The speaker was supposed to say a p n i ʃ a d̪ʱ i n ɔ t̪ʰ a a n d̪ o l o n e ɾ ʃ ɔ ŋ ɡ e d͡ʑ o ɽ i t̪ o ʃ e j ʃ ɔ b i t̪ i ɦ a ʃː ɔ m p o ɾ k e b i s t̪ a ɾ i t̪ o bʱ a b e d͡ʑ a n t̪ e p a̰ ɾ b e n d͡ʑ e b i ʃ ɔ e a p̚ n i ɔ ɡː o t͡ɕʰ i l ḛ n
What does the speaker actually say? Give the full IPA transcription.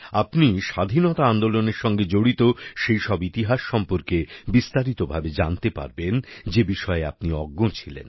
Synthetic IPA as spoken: a p n i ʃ a d̪ʱ i n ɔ t̪ a a n d̪ o l o n e ɾ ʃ ɔ ŋ ɡ e d͡ʑ o ɽ i t̪ o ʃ e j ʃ ɔ b i t̪ i ɦ a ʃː ɔ m p o ɾ k e b i s t̪ a ɾ i t̪ o bʱ a b e d͡ʑ a n t̪ e p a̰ ɾ b e n d͡ʑ e b i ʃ ɔ e a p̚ n i ɔ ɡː o t͡ɕʰ i l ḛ n